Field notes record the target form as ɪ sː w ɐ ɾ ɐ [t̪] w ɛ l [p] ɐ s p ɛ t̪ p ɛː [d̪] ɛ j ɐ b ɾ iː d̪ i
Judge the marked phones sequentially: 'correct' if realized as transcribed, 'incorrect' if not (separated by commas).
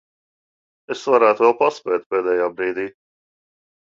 correct, correct, correct